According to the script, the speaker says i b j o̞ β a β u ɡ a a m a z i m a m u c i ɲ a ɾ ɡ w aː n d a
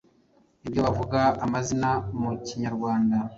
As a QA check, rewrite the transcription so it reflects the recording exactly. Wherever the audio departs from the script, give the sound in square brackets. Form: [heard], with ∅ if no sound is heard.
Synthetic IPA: i b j o̞ β a [v] u ɡ a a m a z i [n] a m u c i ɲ a ɾ ɡ w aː n d a